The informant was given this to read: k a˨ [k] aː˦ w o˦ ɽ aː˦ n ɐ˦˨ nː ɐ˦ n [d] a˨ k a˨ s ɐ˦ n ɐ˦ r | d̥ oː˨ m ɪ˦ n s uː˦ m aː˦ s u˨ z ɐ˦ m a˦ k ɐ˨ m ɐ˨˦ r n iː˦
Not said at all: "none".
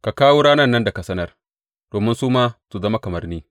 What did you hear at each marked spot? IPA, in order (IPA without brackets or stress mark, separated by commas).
k, d